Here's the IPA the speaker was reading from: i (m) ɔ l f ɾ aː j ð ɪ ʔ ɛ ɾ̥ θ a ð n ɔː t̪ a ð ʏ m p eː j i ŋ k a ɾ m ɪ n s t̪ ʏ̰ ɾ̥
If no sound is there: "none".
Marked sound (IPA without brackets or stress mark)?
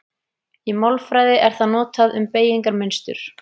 m